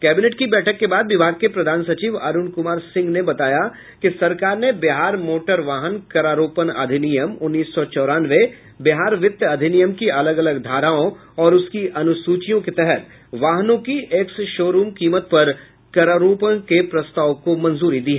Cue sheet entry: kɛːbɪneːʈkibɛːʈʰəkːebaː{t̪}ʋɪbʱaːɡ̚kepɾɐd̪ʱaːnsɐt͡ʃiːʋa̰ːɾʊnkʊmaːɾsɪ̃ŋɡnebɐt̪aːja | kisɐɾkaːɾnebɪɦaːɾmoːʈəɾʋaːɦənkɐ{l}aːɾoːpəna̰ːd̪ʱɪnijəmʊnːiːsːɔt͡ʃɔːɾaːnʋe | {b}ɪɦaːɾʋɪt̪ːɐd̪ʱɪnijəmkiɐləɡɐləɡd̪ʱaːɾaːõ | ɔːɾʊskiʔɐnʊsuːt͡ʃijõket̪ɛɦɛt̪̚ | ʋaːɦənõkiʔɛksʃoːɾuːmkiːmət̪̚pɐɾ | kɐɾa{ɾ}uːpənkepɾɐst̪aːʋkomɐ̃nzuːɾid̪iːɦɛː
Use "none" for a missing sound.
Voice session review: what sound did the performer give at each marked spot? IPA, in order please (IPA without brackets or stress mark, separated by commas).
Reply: d̪, ɾ, b, ɾ